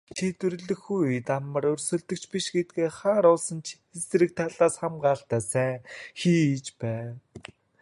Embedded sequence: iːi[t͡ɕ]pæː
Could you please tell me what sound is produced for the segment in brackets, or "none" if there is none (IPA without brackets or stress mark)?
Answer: t͡ɕ